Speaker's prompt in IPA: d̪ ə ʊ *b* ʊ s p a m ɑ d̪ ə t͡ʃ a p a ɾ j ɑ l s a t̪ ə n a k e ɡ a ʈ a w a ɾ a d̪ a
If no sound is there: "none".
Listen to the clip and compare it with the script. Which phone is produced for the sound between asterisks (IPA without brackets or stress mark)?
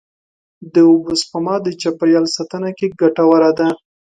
b